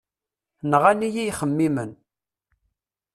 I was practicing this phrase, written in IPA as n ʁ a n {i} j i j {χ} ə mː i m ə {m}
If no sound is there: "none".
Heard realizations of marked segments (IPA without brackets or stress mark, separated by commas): i, χ, n